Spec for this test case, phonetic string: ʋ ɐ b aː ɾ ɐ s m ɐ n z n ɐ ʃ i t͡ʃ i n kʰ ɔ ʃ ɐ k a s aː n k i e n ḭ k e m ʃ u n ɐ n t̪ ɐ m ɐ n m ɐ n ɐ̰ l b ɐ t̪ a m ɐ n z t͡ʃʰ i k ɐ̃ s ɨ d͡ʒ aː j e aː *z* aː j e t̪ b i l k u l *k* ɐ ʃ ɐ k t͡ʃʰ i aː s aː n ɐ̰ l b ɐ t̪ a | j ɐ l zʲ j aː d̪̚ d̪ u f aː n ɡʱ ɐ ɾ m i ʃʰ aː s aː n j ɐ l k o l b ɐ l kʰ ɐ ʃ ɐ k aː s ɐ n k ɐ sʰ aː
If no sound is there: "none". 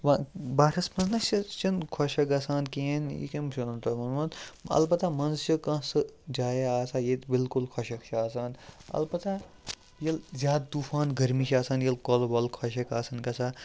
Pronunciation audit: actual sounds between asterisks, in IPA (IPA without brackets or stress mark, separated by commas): s, kʰ